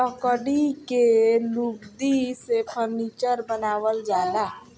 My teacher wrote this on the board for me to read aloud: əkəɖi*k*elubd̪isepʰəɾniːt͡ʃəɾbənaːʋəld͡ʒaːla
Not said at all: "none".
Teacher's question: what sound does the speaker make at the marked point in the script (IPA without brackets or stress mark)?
k